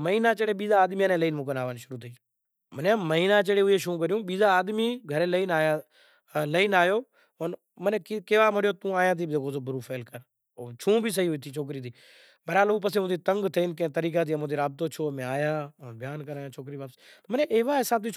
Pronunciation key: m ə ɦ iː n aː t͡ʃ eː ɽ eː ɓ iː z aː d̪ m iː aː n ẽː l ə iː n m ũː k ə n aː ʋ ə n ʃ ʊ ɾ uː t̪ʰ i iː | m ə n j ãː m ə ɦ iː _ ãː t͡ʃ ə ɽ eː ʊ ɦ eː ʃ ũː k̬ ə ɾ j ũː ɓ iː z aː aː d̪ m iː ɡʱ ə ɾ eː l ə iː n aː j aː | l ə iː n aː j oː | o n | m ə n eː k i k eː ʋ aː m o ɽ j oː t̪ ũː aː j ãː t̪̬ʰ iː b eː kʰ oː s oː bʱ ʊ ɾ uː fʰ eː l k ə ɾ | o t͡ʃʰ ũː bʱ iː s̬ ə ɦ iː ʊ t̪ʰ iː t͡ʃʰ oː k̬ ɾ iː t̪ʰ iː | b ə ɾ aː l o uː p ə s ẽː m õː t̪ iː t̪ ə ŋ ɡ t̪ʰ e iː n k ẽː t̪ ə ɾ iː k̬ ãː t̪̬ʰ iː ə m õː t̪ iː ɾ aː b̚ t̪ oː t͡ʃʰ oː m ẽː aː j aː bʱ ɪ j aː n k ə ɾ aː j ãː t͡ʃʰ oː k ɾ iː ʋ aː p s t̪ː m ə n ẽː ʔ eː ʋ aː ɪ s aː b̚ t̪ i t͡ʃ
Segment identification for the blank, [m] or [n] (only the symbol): n